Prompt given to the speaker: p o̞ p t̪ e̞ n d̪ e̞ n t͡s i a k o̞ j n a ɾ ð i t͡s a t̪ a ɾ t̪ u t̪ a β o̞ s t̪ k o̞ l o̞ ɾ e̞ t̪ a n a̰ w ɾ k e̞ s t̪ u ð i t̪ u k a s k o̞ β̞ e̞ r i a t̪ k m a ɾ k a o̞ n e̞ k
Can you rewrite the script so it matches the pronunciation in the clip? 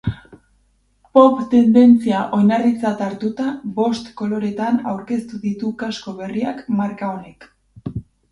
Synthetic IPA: p o̞ p t̪ e̞ n d̪ e̞ n t͡s i a ʔ o̞ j n a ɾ ð i t͡s a t̪ a ɾ t̪ u t̪ a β o̞ s t̪ k o̞ l o̞ ɾ e̞ t̪ a n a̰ w ɾ k e̞ s t̪ u ð i t̪ u k a s k o̞ β̞ e̞ r i a k m a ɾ k a o̞ n e̞ k